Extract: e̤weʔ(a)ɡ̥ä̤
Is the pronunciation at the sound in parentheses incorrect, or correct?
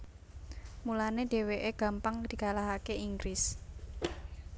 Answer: incorrect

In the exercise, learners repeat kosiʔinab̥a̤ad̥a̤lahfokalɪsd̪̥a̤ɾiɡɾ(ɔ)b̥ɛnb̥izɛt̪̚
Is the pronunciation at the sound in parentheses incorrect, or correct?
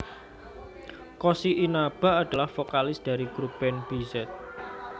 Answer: incorrect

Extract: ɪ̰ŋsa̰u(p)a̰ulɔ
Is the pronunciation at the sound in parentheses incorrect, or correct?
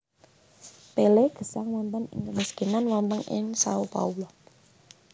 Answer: correct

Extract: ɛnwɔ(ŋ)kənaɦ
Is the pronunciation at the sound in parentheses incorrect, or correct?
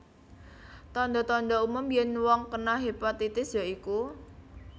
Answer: correct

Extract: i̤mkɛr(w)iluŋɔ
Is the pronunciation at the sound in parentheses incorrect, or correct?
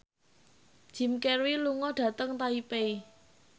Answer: correct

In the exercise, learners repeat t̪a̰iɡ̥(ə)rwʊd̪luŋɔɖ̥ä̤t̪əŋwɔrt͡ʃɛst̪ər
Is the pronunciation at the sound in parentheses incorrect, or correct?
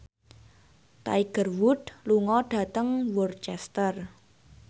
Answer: correct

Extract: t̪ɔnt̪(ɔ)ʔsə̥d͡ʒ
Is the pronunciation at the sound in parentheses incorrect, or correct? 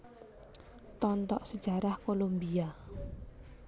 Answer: correct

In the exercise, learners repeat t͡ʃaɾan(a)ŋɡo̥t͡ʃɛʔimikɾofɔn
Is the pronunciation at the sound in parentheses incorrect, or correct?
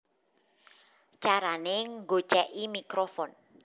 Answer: incorrect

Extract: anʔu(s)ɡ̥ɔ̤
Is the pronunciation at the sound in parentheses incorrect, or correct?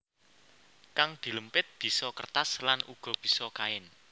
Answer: incorrect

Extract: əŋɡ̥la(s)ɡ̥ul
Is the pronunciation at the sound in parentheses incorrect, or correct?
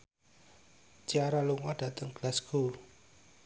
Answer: correct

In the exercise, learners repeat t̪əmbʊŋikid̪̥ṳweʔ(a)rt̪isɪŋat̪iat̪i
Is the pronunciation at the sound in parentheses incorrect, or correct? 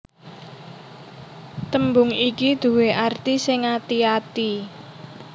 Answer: correct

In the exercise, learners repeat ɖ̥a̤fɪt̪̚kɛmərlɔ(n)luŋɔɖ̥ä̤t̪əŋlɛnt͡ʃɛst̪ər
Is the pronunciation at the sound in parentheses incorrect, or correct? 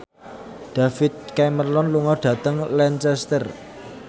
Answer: correct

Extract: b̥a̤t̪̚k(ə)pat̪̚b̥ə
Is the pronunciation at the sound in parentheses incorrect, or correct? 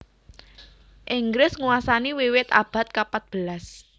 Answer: incorrect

